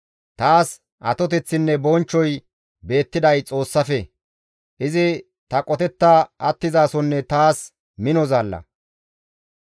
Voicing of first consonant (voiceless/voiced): voiceless